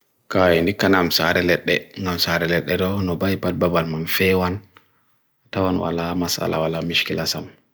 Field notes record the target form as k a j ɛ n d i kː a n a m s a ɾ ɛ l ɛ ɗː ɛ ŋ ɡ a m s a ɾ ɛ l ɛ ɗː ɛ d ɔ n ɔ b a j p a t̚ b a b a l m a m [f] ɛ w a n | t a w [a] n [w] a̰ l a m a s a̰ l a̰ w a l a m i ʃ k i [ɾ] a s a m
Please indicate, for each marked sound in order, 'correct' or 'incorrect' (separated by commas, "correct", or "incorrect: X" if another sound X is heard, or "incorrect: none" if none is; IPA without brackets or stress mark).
correct, correct, correct, incorrect: l